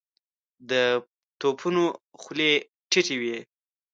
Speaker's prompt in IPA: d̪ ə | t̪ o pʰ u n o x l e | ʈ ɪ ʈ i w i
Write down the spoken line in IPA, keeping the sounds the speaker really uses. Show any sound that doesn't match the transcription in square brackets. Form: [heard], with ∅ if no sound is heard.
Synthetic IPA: d̪ ə | t̪ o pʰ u n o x l e | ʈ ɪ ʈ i w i